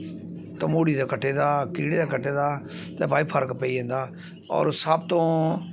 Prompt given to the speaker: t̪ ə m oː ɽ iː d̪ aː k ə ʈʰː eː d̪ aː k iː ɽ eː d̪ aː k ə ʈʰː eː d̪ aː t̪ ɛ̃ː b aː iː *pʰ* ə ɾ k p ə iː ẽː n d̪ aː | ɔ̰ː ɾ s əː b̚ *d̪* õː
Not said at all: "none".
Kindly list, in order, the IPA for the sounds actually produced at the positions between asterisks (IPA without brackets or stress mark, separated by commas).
pʰ, t̪